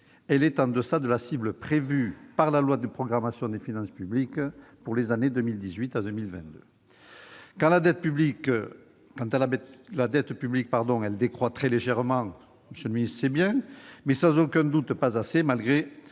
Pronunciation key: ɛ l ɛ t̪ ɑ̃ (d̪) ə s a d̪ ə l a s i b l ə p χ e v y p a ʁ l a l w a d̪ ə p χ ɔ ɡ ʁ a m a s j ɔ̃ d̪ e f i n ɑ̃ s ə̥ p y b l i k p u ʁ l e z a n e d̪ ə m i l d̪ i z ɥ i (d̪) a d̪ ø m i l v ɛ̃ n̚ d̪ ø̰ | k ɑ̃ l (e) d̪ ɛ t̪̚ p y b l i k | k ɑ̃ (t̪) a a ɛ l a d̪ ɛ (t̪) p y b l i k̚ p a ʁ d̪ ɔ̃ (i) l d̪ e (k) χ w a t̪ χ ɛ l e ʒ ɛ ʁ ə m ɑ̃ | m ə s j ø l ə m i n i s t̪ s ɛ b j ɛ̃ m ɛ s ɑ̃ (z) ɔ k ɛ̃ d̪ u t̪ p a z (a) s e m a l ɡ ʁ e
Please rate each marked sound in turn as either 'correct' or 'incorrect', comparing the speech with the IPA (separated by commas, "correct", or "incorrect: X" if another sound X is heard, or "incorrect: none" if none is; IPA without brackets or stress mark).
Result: correct, incorrect: t̪, incorrect: a, correct, correct, incorrect: ɛ, correct, correct, correct